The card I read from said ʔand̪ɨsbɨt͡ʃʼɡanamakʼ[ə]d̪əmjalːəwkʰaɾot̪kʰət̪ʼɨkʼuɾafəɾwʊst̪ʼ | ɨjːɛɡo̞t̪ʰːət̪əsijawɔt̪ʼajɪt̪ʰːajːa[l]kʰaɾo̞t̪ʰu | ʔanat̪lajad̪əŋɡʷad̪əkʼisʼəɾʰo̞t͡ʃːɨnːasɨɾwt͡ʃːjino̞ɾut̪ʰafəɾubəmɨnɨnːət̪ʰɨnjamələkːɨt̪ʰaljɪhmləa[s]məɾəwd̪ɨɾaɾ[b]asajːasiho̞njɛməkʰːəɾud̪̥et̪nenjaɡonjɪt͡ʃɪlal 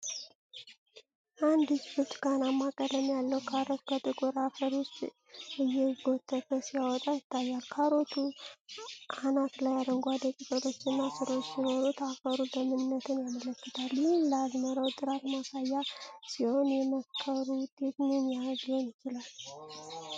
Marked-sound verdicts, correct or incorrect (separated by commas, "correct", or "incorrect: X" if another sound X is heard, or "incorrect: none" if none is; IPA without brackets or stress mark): correct, correct, incorrect: z, incorrect: m